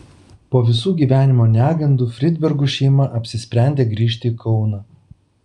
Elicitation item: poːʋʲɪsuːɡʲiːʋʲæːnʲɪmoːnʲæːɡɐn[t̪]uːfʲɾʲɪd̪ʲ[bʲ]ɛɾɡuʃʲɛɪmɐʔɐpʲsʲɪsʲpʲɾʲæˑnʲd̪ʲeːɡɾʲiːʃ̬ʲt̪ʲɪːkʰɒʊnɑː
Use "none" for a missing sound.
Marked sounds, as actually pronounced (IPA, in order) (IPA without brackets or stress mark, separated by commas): d̪, bʲ